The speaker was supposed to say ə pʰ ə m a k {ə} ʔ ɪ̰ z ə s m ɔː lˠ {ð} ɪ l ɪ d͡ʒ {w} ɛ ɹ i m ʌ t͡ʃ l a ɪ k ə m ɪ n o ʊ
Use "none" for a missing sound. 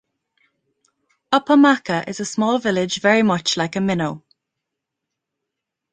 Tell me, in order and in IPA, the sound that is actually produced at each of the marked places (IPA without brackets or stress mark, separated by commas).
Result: ə, v, v